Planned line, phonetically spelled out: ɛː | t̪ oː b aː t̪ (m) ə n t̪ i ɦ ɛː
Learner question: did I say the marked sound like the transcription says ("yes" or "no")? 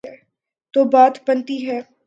no